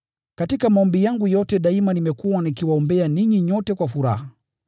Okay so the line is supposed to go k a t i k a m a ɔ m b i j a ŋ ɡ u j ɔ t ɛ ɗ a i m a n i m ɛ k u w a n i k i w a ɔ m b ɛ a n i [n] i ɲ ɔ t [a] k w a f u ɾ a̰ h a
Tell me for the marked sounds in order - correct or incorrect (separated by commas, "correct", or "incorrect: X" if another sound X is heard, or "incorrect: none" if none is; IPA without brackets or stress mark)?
incorrect: ɲ, incorrect: ɛ